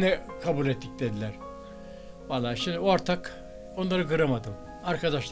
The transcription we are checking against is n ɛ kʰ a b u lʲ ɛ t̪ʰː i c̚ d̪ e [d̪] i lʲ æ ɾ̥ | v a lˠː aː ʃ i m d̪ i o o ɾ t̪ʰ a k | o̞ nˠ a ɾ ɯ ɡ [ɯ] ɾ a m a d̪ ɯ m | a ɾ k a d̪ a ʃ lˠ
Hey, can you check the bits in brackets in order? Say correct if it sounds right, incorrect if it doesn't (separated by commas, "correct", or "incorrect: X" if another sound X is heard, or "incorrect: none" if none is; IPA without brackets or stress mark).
correct, correct